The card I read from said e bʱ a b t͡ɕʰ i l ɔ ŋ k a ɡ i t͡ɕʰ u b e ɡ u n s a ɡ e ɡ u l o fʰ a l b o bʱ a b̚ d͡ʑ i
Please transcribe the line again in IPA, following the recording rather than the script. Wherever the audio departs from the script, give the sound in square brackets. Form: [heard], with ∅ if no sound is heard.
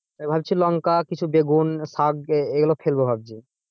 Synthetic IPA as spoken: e bʱ a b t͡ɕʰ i l ɔ ŋ k a [k] i t͡ɕʰ u b e ɡ u n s a ɡ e ɡ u l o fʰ [e] l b o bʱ a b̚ d͡ʑ i

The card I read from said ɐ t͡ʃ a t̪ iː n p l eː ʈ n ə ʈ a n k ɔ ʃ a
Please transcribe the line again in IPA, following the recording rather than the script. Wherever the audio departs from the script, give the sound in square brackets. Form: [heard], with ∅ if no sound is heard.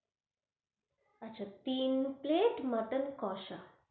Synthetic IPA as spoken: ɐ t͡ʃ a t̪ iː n p l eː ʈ [m] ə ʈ [ə] n k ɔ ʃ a

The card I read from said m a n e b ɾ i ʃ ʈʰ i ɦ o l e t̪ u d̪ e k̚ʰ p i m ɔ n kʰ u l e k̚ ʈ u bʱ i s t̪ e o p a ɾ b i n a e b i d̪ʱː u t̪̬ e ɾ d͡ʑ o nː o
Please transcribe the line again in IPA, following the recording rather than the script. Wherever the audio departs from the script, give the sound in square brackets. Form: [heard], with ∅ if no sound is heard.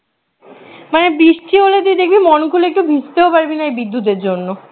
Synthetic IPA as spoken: m a n e b ɾ i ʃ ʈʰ i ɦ o l e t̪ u d̪ e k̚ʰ [b] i m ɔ n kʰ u l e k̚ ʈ u bʱ i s t̪ e o p a ɾ b i n a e b i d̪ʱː u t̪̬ e ɾ d͡ʑ o nː o

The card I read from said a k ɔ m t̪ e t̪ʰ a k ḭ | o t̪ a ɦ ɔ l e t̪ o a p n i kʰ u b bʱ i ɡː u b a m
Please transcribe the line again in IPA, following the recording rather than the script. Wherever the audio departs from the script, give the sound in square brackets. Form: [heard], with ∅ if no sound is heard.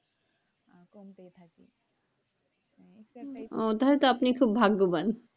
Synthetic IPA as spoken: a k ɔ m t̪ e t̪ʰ a k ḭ | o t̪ a ɦ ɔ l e t̪ o a p n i kʰ u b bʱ [a] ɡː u b a [n]

